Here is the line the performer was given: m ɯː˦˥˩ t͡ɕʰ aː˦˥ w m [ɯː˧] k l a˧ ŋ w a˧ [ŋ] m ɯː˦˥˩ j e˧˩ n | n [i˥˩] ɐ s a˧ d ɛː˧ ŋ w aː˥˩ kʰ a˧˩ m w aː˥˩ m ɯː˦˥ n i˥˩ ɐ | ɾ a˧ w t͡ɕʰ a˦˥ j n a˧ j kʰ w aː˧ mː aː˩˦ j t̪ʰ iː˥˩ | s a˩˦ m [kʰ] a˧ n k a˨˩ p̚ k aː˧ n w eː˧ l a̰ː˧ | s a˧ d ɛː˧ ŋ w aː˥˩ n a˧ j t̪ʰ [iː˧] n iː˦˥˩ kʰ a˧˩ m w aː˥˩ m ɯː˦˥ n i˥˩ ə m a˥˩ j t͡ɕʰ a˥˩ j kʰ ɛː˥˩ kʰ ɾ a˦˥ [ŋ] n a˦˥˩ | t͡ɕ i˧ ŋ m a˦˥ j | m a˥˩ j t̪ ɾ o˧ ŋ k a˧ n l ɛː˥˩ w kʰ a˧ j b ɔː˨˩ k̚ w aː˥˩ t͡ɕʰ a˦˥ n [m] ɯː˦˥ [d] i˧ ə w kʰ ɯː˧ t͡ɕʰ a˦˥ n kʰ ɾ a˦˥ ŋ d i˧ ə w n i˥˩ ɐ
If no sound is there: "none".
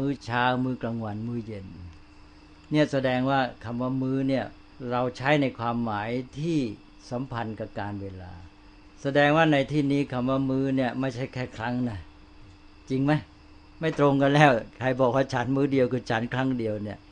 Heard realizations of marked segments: ɯː˥˩, n, i˥˩, pʰ, iː˥˩, ŋ, m, d

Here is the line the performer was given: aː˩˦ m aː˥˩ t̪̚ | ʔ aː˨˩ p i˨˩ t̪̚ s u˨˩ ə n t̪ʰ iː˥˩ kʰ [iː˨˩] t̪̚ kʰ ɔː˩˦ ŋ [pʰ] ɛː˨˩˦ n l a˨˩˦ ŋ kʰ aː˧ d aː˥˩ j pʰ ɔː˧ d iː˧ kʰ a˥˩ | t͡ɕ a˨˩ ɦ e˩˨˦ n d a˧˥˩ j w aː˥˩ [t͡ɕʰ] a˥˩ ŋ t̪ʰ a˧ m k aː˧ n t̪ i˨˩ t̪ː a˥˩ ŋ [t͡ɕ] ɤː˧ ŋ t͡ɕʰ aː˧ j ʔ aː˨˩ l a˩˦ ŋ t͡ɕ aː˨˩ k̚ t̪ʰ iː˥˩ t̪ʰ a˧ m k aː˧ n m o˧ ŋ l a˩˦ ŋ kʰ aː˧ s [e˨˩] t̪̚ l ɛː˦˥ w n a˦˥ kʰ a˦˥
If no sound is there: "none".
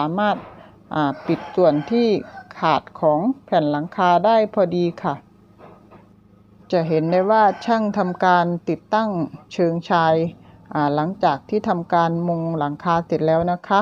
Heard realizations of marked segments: aː˨˩, pʰ, t͡ɕʰ, t͡ɕʰ, e˨˩

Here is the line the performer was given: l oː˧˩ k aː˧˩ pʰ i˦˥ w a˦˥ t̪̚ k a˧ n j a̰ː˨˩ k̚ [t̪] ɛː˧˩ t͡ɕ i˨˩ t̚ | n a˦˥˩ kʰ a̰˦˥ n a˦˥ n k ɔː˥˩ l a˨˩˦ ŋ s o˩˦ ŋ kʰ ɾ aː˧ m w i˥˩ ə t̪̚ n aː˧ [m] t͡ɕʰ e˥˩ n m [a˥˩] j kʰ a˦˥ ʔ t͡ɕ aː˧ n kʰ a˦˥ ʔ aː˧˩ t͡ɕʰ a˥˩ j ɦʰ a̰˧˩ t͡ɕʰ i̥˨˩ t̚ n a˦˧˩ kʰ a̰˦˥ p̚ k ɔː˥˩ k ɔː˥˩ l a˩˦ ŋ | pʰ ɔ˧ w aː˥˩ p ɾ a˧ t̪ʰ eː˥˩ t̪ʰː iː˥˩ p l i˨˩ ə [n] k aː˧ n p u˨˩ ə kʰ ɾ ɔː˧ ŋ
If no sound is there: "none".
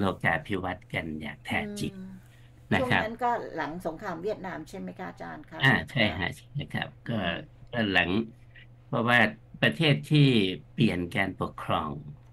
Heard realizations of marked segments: t̪ʰ, m, a˦˥, n

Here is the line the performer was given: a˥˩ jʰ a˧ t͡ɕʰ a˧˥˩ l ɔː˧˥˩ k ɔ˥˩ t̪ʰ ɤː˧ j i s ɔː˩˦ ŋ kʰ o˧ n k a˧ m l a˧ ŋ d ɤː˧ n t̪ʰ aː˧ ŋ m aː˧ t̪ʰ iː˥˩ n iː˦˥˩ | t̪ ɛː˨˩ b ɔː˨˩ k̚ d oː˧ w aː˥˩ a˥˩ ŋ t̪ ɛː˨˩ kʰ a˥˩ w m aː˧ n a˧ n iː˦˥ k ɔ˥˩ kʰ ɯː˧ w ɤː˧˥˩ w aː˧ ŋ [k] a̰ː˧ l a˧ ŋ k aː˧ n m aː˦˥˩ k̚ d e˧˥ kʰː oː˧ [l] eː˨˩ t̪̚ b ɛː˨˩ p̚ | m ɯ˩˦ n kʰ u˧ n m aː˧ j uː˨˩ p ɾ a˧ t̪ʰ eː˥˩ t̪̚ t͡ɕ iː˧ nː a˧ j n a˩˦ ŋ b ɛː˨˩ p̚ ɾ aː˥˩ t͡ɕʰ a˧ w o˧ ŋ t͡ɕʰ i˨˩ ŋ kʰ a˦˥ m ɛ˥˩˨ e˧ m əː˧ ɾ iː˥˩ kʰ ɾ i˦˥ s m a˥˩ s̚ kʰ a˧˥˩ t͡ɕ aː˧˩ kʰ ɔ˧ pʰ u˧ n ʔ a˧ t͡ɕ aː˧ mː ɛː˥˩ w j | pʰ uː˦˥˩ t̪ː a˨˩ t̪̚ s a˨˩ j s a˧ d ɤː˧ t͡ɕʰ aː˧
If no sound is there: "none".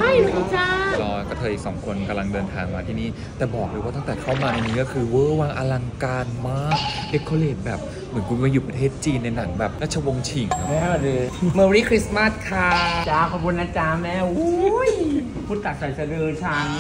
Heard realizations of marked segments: ʔ, l

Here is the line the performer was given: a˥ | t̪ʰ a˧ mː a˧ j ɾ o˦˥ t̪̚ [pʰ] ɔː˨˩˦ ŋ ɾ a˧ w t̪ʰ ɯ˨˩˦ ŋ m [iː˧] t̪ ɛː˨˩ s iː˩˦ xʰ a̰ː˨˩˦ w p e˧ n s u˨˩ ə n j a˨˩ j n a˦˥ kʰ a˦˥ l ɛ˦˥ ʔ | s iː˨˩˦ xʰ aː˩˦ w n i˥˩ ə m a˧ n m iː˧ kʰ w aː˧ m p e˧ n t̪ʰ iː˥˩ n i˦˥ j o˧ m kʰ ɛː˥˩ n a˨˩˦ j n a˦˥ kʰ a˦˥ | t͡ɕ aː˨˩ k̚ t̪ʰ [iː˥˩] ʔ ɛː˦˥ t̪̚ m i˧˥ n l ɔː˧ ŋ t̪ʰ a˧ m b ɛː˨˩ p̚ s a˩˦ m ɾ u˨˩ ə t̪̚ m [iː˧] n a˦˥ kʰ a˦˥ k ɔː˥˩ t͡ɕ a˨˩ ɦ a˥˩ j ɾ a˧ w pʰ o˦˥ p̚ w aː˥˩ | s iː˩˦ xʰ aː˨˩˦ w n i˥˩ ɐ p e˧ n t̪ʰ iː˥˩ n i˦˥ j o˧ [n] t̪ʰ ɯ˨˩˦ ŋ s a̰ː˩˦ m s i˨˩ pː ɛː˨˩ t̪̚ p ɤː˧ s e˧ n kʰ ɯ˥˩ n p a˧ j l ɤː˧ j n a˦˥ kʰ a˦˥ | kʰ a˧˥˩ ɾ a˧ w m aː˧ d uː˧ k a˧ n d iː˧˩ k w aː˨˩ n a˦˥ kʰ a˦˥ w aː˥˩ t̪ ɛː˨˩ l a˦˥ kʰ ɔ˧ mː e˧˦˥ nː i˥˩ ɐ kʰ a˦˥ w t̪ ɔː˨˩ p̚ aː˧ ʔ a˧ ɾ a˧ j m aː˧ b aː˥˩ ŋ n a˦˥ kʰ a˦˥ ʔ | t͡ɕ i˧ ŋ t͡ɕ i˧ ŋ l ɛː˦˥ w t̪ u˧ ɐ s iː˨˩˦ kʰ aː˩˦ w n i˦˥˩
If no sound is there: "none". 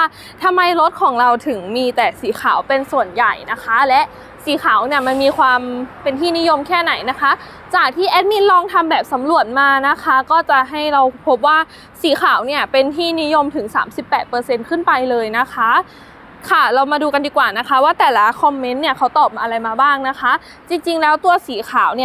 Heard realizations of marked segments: kʰ, iː˧, iː˥˩, aː˧, m

